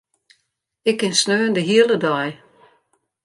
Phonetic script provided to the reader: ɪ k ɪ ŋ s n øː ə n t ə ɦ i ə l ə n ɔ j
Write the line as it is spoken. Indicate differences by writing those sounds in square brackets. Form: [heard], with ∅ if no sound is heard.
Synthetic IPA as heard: ɪ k ɪ [n] s n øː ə n [d] ə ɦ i ə l ə [d] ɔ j